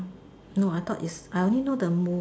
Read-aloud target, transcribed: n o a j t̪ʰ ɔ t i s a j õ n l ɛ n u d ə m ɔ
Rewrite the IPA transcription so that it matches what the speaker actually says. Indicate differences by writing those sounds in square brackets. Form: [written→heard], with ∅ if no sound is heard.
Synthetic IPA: n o a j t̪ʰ ɔ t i s a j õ n l [ɛ→i] n [u→o] d ə m [ɔ→u]